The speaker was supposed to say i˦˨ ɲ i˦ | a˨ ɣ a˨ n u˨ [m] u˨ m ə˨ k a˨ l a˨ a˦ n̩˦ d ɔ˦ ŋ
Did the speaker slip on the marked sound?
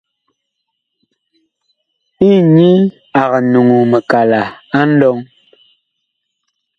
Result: yes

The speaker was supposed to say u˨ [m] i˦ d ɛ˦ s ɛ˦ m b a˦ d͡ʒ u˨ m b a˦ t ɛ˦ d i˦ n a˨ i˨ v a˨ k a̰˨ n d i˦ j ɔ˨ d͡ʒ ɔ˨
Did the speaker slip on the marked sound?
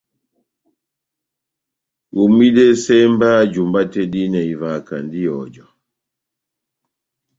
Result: no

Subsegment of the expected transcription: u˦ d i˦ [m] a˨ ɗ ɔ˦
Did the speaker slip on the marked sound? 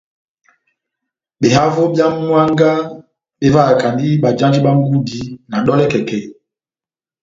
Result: yes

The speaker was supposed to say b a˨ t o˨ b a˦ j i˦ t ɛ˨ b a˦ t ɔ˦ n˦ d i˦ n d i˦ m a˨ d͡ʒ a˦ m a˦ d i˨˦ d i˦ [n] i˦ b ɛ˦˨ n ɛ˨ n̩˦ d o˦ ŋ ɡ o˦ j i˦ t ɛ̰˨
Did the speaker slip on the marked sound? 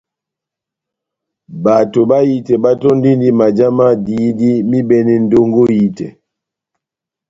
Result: yes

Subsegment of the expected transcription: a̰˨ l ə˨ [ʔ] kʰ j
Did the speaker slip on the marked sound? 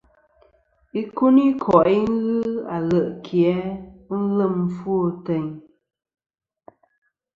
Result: no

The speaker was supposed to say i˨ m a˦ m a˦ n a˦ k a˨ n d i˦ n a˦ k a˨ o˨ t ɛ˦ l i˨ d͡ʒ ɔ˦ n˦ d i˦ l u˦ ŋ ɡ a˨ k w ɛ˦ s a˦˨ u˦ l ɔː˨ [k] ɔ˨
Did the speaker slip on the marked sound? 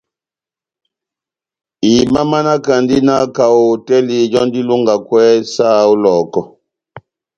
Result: no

